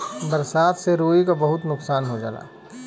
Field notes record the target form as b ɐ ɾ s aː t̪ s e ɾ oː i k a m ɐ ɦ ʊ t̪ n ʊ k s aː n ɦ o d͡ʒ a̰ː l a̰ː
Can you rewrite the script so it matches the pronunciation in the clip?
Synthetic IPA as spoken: b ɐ ɾ s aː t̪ s e ɾ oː i k a b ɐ ɦ ʊ t̪ n ʊ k s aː n ɦ o d͡ʒ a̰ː l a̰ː